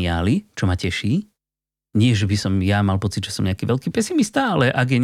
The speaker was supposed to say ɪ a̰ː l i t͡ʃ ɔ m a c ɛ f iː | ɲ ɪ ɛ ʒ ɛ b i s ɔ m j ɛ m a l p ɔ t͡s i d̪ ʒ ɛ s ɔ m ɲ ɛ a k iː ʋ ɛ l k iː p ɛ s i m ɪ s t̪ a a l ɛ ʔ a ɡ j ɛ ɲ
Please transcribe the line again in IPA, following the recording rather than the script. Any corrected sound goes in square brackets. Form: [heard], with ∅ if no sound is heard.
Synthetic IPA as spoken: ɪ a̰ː l i t͡ʃ ɔ m a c ɛ [ʃ] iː | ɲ ɪ ɛ ʒ ɛ b i s ɔ m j [a] m a l p ɔ t͡s i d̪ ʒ ɛ s ɔ m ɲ ɛ a k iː ʋ ɛ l k iː p ɛ s i m [i] s t̪ a a l ɛ ʔ a ɡ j ɛ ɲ